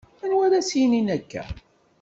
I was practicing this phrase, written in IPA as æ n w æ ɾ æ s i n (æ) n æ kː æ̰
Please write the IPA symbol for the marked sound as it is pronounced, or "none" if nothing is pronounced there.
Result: i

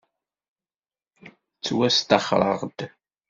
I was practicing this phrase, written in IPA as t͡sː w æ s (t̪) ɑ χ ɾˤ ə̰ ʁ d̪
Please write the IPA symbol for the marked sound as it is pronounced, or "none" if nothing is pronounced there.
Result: t̪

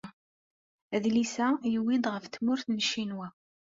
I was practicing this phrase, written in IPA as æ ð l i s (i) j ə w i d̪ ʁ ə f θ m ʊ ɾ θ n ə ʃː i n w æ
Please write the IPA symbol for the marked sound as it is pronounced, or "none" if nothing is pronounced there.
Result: æ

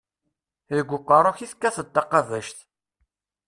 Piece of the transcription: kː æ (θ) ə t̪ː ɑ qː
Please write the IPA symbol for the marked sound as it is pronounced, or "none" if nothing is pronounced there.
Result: θ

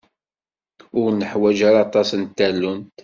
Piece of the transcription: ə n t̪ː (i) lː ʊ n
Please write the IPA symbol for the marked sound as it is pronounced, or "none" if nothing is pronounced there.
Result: æ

